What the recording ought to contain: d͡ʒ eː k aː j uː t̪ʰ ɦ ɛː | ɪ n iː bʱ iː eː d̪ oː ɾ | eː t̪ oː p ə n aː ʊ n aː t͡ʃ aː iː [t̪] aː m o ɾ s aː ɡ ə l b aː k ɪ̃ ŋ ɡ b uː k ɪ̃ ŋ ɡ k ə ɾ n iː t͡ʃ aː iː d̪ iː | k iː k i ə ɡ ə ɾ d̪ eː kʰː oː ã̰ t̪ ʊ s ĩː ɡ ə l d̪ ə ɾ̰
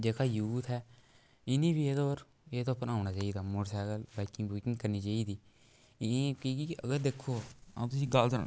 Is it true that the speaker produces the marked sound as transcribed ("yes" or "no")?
no